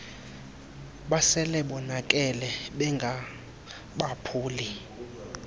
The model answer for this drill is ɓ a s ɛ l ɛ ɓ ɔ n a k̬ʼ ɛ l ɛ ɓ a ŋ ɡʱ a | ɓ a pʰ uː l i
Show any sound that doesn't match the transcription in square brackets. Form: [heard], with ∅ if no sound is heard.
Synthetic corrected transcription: ɓ a s ɛ l ɛ ɓ ɔ n a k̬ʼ ɛ l ɛ ɓ [ɛ] ŋ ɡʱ a | ɓ a pʰ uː l i